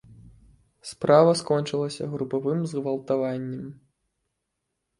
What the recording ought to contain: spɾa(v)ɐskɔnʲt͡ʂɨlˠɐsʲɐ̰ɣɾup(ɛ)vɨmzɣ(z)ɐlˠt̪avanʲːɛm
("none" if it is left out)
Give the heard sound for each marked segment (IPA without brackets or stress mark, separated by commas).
v, a, v